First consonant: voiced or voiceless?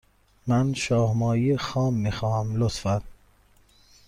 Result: voiced